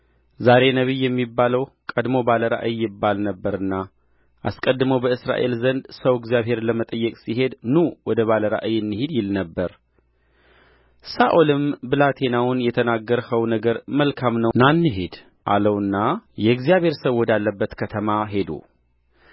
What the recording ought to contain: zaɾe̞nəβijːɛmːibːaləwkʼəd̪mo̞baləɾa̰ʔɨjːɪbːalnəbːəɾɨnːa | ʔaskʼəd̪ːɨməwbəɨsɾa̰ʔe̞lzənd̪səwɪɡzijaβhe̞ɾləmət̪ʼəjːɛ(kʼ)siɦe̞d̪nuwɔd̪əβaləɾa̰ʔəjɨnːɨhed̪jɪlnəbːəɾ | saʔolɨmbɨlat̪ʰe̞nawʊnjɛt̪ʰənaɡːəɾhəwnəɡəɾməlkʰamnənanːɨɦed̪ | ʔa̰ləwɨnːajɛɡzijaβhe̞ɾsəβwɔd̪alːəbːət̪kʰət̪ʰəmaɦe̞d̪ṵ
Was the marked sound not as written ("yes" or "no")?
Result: no